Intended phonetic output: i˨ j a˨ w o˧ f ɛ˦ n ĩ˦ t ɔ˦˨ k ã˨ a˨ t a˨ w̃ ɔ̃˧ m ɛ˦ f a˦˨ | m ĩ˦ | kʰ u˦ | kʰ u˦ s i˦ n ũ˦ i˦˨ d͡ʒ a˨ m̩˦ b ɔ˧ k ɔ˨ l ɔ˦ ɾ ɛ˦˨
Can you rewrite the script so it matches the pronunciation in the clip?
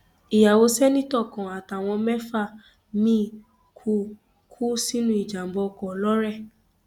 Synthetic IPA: i˨ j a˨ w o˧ s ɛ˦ n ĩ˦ t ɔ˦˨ k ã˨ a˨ t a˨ w̃ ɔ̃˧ m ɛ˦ f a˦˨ | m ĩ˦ | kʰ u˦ | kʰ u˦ s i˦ n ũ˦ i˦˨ d͡ʒ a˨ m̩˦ b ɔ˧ k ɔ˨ l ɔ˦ ɾ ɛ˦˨